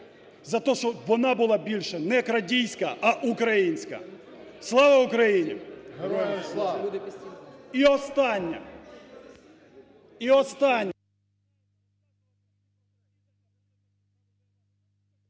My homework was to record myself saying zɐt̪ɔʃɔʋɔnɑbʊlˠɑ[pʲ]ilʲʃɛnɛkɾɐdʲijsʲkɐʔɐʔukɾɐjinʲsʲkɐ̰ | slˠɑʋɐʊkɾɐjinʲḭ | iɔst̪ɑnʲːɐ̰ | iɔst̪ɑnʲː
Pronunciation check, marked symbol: incorrect: bʲ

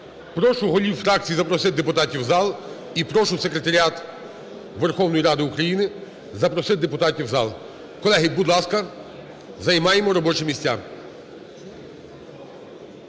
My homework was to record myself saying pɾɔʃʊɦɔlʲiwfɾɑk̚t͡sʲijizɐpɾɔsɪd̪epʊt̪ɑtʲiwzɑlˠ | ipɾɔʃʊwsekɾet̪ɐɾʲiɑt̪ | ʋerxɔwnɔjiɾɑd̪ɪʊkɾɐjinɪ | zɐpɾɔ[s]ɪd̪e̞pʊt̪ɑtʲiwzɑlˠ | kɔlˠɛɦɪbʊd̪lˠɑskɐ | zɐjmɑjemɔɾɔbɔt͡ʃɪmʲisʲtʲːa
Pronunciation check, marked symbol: correct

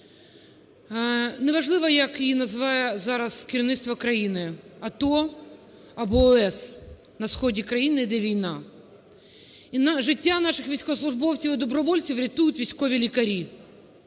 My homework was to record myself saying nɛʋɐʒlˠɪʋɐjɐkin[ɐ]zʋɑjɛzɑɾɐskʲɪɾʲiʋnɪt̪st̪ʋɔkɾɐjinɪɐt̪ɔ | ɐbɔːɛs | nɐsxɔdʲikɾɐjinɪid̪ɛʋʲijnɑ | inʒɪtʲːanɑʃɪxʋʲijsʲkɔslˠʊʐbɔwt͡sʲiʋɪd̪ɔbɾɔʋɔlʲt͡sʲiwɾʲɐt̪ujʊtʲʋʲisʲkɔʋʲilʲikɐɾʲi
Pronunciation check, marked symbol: correct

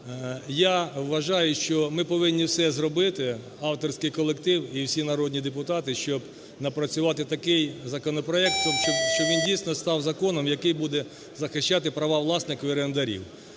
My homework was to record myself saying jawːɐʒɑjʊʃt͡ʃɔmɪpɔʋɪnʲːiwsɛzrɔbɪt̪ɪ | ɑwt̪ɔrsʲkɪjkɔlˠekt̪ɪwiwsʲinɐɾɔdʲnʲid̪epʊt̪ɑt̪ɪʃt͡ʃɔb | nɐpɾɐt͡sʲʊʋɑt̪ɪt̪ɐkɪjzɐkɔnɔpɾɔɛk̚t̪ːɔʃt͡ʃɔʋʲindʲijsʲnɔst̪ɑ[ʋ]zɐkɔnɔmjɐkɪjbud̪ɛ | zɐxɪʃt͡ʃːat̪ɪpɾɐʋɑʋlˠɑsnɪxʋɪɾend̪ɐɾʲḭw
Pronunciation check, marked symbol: incorrect: w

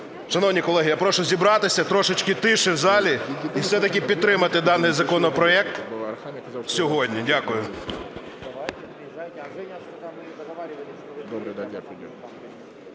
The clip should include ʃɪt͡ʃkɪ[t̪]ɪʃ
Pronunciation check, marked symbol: correct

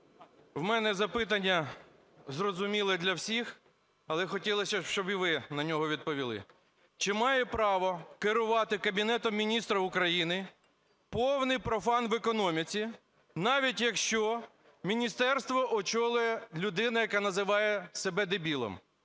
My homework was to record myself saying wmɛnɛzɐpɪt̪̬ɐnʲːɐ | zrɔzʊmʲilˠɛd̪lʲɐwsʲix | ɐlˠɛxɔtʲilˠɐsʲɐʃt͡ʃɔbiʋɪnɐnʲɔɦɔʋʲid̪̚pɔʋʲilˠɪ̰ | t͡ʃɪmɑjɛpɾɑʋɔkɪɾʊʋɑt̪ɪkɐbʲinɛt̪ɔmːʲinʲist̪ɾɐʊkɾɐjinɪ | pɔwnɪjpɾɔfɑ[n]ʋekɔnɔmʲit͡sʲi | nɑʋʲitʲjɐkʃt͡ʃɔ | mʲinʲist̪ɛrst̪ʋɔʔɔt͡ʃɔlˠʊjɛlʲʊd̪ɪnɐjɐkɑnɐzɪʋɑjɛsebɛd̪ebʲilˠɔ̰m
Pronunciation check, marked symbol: correct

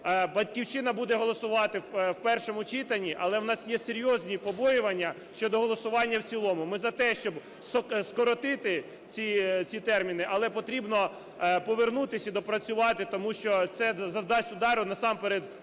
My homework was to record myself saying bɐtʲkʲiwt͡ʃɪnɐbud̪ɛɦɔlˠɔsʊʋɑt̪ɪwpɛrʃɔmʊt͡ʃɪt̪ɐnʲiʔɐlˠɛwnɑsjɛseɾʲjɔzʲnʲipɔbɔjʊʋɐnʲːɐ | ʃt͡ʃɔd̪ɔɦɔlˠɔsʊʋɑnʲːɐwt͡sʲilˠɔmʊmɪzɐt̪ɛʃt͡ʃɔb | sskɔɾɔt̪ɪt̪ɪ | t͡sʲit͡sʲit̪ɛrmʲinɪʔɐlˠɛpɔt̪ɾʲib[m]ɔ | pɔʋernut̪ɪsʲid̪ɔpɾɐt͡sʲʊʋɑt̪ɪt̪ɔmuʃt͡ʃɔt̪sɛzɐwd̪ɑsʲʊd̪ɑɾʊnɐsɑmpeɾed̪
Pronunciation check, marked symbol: incorrect: n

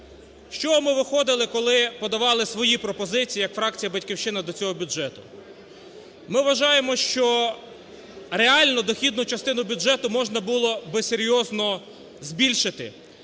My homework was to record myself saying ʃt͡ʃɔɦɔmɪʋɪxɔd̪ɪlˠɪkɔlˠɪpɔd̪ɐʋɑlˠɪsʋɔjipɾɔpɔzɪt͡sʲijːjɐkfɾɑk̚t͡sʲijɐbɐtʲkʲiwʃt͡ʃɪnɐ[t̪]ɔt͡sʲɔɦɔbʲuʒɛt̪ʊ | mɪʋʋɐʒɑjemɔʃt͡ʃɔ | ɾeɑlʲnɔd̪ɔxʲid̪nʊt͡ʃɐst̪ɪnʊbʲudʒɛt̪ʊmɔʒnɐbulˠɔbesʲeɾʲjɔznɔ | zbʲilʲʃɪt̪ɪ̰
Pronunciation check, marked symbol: incorrect: d̪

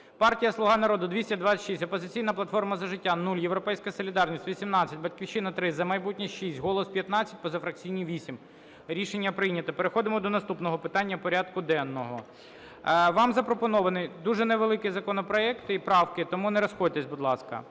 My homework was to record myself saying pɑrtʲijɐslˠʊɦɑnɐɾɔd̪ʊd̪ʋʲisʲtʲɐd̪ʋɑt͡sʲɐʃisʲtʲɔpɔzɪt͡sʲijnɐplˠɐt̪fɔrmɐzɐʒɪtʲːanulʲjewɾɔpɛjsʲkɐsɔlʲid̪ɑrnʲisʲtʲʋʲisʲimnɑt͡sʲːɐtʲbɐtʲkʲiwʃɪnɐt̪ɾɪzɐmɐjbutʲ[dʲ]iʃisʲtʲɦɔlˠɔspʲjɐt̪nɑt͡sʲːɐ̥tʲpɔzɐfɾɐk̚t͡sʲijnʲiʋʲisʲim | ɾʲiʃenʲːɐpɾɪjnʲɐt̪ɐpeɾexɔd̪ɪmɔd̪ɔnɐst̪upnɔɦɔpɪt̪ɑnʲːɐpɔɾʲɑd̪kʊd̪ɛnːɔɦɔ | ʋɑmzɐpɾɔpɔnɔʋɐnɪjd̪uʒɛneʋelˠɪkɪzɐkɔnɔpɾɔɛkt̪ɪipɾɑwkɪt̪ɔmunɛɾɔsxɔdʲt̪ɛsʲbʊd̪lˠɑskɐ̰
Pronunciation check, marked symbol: incorrect: nʲ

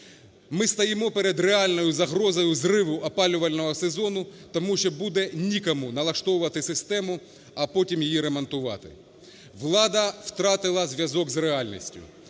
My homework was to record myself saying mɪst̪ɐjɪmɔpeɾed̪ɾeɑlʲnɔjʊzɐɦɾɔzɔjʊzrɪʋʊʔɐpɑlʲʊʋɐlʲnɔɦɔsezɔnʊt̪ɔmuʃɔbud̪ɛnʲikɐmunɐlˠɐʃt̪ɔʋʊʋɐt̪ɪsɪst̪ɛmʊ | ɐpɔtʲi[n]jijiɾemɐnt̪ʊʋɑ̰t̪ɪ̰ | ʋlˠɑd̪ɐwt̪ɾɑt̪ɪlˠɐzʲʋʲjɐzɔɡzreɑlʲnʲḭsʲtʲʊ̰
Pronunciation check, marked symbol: incorrect: m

